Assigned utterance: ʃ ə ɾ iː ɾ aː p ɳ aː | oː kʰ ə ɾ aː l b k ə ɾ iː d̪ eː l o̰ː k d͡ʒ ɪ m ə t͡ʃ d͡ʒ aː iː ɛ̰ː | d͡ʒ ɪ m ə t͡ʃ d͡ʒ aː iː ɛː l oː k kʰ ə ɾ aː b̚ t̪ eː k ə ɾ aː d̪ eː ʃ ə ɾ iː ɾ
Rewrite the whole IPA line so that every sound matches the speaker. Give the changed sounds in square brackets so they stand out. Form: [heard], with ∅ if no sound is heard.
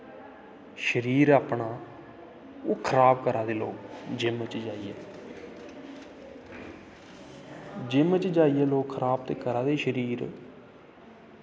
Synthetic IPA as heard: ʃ ə ɾ iː ɾ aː p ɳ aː | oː kʰ ə ɾ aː [∅] b k ə ɾ [aː] d̪ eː l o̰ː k d͡ʒ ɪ m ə t͡ʃ d͡ʒ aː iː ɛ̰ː | d͡ʒ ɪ m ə t͡ʃ d͡ʒ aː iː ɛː l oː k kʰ ə ɾ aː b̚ t̪ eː k ə ɾ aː d̪ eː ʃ ə ɾ iː ɾ